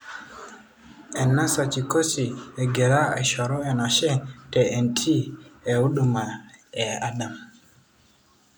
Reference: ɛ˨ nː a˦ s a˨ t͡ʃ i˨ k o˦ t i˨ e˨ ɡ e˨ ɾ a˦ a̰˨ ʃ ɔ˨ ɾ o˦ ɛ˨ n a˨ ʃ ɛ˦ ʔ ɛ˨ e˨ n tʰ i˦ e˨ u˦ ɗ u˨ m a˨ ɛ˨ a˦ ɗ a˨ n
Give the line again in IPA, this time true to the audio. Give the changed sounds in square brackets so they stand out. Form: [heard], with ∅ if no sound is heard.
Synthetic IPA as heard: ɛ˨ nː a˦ s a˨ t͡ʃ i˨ k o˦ [s] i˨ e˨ ɡ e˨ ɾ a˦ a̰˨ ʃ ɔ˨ ɾ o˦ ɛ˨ n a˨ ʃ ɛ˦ [t] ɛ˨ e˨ n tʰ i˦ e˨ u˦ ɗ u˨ m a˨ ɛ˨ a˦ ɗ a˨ [m]